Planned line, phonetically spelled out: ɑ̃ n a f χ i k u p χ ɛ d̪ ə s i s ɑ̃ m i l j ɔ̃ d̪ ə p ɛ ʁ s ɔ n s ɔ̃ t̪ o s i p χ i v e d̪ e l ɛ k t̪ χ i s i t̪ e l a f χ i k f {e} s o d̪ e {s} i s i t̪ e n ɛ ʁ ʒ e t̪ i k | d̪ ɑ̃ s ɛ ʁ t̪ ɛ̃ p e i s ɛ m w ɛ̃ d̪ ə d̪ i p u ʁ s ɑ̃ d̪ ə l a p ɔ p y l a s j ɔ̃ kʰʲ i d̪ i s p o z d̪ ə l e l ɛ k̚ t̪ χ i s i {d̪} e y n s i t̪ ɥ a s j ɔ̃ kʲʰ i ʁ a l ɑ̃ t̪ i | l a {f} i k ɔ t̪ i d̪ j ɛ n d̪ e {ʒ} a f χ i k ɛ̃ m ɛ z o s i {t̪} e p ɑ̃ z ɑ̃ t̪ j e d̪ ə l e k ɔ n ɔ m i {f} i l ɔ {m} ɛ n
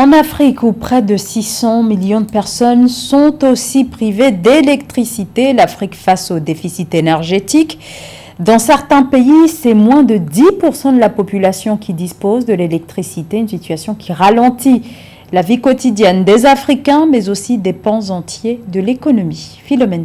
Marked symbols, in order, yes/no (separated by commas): no, no, no, no, no, no, yes, yes